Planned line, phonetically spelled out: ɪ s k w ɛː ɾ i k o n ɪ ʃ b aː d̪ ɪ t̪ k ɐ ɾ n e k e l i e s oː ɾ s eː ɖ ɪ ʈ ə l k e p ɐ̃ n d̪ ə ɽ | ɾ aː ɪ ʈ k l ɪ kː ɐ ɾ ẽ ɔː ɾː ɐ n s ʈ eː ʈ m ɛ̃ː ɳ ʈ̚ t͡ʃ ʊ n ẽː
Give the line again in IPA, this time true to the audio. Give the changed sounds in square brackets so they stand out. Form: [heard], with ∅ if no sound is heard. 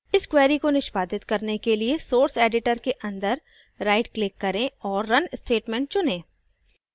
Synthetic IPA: ɪ s k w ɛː ɾ i k o n ɪ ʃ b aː d̪ ɪ t̪ k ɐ ɾ n e k e l i e s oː ɾ s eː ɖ ɪ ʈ ə [ɾ] k e [ʔ] ɐ̃ n d̪ ə [ɾ] | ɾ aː ɪ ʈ k l ɪ kː ɐ ɾ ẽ ɔː ɾː ɐ n s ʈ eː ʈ m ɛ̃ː ɳ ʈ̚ t͡ʃ ʊ n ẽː